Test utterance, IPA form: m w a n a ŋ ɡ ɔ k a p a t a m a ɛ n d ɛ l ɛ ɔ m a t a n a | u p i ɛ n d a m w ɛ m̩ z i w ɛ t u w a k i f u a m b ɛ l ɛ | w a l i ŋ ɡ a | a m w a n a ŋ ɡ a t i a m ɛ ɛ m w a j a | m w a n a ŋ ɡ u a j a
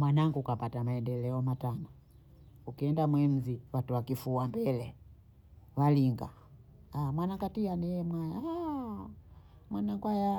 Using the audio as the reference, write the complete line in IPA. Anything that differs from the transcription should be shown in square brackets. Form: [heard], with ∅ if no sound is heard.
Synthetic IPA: m w a n a ŋ ɡ [u] k a p a t a m a ɛ n d ɛ l ɛ ɔ m a t a n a | u [k] i ɛ n d a m w ɛ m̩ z i w [a] t u w a k i f u a m b ɛ l ɛ | w a l i ŋ ɡ a | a m w a n a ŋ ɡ a t i a [n] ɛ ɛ m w a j a | m w a n a ŋ ɡ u a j a